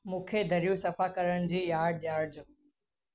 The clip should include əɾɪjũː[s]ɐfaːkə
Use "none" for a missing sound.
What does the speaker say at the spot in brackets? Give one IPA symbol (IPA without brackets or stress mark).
s